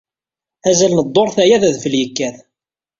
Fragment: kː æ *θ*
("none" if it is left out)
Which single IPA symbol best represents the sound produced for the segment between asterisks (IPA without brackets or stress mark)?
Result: θ